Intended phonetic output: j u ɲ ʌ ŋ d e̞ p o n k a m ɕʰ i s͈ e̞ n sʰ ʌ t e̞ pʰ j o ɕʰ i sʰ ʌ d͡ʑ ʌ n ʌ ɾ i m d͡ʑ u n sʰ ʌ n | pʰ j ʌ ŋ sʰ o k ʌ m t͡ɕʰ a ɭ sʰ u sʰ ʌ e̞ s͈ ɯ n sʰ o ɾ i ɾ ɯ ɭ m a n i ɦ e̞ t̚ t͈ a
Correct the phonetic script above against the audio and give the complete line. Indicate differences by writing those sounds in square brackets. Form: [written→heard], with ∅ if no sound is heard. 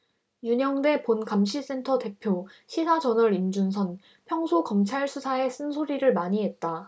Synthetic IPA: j u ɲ ʌ ŋ d e̞ p o n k a m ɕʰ i s͈ e̞ n [sʰ→tʰ] ʌ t e̞ pʰ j o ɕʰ i sʰ [ʌ→a] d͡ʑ ʌ n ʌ ɾ i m d͡ʑ u n sʰ ʌ n | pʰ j ʌ ŋ sʰ o k ʌ m t͡ɕʰ a ɭ sʰ u sʰ [ʌ→a] e̞ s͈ ɯ n sʰ o ɾ i ɾ ɯ ɭ m a [n→ɲ] i ɦ e̞ t̚ t͈ a